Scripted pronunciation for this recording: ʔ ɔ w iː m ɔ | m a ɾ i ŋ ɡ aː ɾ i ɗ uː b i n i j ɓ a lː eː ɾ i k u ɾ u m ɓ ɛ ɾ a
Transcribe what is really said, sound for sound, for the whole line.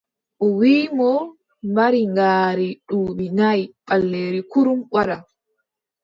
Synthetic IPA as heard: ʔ ɔ w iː m ɔ | m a ɾ i ŋ ɡ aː ɾ i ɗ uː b i n a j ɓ a lː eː ɾ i k u ɾ u m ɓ a ɾ a